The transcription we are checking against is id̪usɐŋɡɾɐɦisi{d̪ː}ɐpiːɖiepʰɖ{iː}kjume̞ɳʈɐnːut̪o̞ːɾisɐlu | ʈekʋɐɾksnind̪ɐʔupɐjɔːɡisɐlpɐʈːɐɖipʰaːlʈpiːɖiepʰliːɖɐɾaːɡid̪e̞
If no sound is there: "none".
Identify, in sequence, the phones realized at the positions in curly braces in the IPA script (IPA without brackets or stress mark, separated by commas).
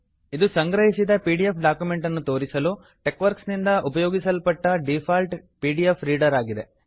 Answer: d̪, aː